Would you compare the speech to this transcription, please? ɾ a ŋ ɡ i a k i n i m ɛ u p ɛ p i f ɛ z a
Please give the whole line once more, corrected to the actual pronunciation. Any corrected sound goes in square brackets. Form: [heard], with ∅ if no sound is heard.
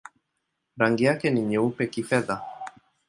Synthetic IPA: ɾ a ŋ ɡ i a k [ɛ] n i [ɲ] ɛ u p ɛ [k] i f ɛ [ð] a